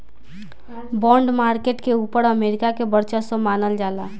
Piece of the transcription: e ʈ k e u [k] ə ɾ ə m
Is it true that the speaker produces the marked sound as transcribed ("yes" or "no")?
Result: no